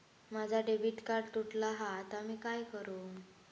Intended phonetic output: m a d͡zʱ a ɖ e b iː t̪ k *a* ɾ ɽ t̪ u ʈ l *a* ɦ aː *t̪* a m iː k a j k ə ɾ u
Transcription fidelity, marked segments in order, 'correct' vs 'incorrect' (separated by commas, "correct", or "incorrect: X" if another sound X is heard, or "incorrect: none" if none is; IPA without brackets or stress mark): correct, correct, correct